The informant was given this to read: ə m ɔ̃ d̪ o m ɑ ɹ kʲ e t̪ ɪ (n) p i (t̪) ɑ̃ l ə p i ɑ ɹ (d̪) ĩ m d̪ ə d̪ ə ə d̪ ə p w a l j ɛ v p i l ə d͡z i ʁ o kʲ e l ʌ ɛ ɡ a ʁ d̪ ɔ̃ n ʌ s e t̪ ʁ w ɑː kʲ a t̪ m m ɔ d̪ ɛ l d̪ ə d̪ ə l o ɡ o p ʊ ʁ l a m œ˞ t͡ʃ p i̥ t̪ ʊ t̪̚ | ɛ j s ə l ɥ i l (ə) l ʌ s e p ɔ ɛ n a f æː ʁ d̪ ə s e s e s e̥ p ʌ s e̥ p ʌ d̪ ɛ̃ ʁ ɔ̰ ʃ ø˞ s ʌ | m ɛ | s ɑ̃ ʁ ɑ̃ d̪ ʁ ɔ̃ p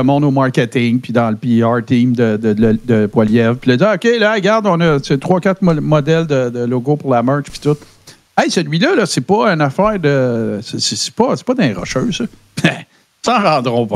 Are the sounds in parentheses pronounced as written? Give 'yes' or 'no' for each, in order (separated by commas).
no, no, no, no